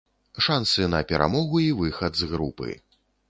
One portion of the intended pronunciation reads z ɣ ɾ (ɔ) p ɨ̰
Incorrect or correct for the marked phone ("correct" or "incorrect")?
incorrect